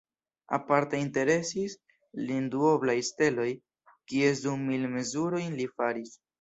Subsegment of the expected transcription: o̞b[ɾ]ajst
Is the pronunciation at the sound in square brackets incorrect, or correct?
incorrect